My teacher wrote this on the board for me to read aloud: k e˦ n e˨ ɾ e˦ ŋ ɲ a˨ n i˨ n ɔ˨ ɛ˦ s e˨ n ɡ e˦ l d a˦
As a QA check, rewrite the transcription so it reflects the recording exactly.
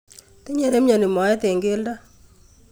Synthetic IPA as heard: t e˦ ɲ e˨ ɾ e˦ m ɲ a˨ n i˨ m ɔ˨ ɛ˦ t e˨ ŋ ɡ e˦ l d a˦